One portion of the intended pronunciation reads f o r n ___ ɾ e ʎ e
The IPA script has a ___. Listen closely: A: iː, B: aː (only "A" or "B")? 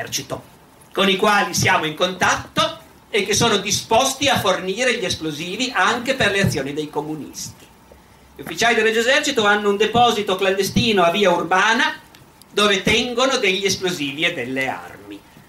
A